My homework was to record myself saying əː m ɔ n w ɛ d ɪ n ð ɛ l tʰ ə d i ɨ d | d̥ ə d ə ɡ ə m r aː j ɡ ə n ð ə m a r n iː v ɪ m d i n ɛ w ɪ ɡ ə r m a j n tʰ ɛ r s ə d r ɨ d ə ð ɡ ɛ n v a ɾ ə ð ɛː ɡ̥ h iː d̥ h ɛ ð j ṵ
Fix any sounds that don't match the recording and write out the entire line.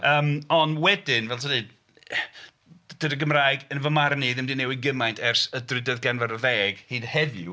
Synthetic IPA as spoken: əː m ɔ n w ɛ d ɪ n v ɛ l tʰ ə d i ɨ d | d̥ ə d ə ɡ ə m r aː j ɡ ə n v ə m a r n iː ð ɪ m d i n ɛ w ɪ ɡ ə m a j n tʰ ɛ r s ə d r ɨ d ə ð ɡ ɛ n v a ɾ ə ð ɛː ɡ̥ h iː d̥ h ɛ ð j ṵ